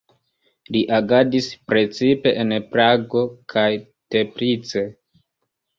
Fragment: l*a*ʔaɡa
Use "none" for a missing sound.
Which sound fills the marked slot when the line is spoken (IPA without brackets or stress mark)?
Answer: i